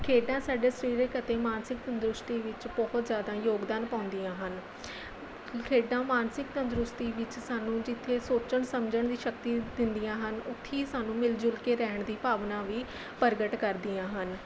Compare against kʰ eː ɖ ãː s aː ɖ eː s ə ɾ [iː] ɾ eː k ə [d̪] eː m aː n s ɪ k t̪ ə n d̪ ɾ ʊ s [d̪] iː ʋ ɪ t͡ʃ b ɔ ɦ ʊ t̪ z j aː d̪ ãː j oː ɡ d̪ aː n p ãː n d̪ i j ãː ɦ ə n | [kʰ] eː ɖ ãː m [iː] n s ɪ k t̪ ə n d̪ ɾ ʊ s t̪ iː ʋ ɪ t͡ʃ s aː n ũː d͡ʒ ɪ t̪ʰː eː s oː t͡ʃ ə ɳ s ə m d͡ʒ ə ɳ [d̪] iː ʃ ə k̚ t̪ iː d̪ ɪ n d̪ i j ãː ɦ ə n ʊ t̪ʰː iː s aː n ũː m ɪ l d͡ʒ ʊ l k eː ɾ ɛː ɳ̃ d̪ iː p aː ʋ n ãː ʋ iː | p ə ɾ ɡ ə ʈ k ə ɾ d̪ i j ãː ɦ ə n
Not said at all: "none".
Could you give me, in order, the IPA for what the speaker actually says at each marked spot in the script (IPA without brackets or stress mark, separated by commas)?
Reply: iː, t̪, t̪, kʰ, aː, d̪